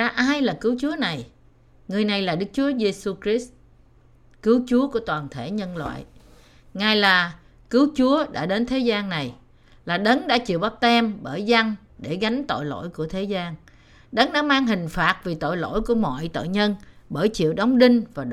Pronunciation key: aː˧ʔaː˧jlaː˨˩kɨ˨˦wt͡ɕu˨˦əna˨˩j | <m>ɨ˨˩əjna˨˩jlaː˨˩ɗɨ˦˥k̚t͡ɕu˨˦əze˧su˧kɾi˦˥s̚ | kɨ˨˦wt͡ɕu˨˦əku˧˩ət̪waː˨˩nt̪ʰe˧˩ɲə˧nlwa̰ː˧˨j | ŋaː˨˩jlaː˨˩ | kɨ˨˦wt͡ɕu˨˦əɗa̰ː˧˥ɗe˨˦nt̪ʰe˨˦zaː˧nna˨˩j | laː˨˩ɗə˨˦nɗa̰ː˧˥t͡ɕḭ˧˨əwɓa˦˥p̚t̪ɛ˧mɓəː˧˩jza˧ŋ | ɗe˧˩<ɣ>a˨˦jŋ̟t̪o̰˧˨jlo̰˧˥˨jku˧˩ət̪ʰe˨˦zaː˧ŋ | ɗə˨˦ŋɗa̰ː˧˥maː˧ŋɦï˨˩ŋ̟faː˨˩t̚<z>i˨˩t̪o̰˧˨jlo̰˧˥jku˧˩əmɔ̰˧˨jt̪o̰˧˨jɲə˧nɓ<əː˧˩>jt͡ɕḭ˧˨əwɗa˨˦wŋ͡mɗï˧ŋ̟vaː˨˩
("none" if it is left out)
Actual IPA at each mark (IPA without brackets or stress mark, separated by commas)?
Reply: ŋ, ɣ, v, əː˧˩